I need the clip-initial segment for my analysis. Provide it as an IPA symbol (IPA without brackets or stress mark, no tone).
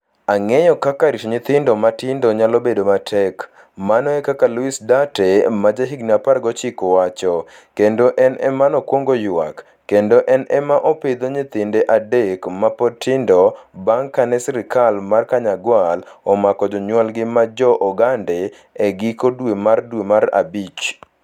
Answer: a